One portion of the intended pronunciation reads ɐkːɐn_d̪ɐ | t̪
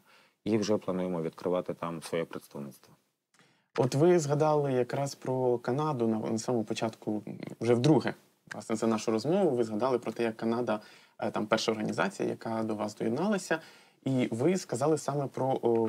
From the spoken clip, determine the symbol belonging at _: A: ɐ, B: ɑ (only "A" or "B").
B